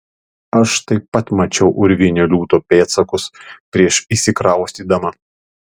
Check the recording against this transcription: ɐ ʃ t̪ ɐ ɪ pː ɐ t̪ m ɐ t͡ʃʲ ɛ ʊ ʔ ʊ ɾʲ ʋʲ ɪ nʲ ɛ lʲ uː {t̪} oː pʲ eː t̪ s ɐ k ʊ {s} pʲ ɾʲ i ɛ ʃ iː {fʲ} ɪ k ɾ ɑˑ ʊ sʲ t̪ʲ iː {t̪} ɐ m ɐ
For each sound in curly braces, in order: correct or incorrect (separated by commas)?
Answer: correct, correct, incorrect, incorrect